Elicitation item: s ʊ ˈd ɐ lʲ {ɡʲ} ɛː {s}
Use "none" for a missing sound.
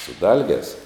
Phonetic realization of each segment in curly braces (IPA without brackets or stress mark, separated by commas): ɡʲ, s